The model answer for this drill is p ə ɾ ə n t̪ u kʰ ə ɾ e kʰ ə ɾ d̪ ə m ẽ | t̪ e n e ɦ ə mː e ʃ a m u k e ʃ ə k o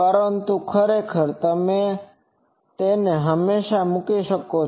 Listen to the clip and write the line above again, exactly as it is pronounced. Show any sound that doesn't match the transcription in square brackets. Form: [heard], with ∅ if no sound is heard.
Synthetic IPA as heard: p ə ɾ ə n t̪ u kʰ ə ɾ e kʰ ə ɾ [t̪] ə m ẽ | t̪ e n e ɦ ə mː e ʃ a m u k [i] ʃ ə k o